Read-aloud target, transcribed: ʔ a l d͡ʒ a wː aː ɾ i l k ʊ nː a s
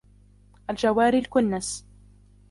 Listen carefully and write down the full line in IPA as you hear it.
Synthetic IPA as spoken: ʔ a l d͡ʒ a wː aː ɾ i l k ʊ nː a s